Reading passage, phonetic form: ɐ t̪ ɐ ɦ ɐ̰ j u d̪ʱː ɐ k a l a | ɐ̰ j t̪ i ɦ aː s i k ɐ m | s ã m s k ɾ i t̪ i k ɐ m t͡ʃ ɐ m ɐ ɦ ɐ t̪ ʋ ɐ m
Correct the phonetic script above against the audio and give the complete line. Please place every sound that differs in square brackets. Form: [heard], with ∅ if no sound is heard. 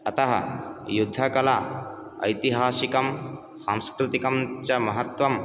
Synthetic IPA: ɐ t̪ ɐ ɦ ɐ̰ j u d̪ʱː ɐ k [ɐ] l a | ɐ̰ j t̪ i ɦ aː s i k ɐ m | s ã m s k ɾ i t̪ i k ɐ m t͡ʃ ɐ m ɐ ɦ ɐ t̪ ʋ ɐ m